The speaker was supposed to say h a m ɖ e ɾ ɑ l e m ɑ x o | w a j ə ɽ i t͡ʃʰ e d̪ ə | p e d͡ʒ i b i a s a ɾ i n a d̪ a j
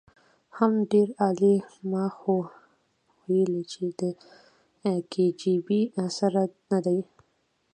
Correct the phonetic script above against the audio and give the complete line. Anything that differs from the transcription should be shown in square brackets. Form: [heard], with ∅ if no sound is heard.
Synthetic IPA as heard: h a m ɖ e ɾ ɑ l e m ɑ x o | w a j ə [l] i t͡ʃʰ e d̪ ə | [k] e d͡ʒ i b i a s a ɾ [a] n a d̪ a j